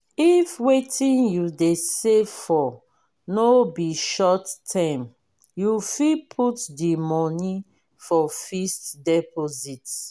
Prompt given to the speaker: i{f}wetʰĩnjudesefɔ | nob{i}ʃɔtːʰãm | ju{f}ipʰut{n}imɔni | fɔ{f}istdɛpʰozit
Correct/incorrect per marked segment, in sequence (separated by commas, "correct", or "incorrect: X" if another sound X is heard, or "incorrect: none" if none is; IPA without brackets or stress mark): correct, correct, correct, incorrect: d, correct